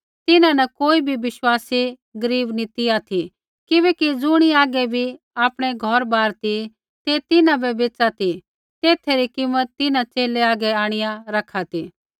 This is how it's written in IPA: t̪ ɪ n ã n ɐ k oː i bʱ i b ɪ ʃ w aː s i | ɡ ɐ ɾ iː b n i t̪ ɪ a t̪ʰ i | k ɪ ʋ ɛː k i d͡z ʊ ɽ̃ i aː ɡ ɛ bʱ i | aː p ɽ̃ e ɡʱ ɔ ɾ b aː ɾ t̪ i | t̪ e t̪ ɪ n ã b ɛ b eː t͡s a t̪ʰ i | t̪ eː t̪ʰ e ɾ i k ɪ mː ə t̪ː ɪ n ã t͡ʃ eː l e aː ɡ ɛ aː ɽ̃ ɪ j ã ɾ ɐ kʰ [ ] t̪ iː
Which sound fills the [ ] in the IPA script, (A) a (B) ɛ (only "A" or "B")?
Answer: A